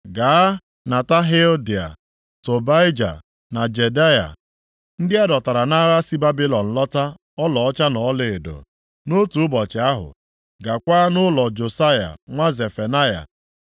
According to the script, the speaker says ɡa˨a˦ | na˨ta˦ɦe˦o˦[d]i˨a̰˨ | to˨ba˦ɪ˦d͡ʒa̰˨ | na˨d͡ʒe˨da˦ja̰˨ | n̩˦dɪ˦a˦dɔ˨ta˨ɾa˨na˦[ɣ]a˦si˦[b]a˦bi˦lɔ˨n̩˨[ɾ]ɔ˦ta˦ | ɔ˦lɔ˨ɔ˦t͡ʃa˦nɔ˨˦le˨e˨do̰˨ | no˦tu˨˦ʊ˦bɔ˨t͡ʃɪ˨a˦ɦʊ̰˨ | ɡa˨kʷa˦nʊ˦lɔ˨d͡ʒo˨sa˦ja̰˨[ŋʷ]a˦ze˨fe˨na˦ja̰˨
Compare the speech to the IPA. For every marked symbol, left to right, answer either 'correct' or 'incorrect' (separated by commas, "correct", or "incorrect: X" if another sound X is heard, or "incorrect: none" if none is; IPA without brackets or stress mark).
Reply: correct, correct, correct, incorrect: l, correct